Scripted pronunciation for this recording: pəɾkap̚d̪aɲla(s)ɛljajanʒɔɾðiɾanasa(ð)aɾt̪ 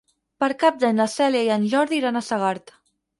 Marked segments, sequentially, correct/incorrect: correct, incorrect: ɣ

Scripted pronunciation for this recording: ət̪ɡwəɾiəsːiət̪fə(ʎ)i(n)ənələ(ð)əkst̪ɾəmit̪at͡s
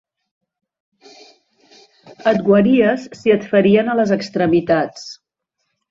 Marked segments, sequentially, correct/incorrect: incorrect: ɾ, incorrect: none, incorrect: z

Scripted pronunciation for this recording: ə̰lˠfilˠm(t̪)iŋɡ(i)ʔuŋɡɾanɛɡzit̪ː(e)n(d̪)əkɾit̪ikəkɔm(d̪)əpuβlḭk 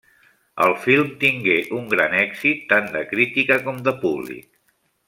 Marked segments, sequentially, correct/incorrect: correct, incorrect: e, incorrect: a, correct, correct

